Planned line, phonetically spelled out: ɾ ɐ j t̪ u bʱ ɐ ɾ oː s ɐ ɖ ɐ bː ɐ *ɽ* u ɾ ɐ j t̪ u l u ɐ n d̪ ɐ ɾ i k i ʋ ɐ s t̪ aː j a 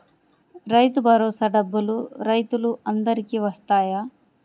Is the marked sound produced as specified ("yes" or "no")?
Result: no